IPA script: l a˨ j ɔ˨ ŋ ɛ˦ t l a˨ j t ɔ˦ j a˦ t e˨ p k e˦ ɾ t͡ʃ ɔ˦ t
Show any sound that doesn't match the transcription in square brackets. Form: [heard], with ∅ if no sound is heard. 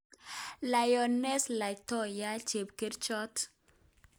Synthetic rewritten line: l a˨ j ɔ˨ [n] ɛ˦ [s] l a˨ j t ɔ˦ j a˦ [t͡ʃ] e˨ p k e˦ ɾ t͡ʃ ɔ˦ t